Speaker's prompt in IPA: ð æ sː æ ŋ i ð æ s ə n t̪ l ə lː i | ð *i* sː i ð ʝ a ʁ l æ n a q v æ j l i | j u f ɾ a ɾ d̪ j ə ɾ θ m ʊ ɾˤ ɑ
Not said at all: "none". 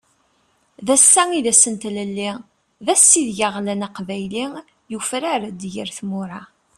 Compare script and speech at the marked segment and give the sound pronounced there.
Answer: æ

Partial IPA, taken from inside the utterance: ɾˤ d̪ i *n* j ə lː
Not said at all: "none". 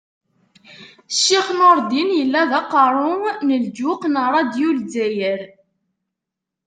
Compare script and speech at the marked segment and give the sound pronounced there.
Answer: n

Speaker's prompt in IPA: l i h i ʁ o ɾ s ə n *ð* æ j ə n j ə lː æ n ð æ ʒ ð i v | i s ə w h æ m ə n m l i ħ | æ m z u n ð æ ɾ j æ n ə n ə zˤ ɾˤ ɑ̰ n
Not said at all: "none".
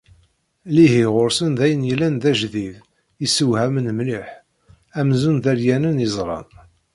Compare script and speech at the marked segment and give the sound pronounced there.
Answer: ð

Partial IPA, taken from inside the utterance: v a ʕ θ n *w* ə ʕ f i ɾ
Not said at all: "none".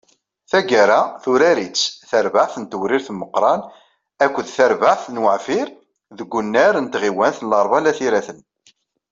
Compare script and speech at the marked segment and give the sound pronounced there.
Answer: w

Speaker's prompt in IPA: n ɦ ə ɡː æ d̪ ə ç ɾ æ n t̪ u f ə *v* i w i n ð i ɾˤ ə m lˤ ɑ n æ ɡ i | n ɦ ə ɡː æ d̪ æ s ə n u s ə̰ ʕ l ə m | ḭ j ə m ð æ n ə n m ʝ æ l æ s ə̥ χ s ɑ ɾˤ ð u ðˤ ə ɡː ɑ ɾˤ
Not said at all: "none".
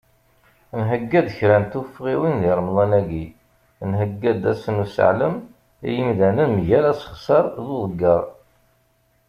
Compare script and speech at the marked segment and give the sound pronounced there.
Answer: ʁ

